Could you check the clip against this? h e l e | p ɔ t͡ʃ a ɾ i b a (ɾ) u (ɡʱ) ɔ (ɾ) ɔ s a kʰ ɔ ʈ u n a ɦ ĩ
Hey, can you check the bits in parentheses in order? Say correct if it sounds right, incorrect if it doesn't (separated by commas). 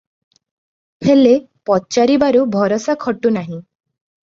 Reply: correct, incorrect, correct